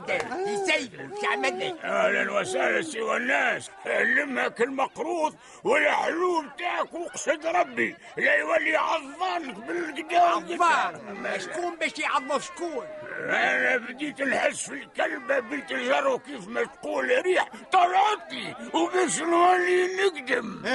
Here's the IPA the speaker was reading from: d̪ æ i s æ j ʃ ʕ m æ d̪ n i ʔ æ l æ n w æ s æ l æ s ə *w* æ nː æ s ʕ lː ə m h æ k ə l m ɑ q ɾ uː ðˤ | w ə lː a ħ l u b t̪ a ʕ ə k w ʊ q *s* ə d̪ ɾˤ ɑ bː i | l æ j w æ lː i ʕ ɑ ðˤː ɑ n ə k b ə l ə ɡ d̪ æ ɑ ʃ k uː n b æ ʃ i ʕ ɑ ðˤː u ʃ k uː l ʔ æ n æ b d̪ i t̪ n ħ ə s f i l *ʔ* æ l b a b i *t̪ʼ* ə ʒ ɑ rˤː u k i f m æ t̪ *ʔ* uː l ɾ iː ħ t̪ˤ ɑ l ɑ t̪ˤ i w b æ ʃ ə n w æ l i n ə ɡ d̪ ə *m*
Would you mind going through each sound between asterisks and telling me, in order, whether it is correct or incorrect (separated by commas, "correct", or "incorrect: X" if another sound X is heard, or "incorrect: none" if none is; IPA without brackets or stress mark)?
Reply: correct, correct, incorrect: k, incorrect: t̪, incorrect: q, correct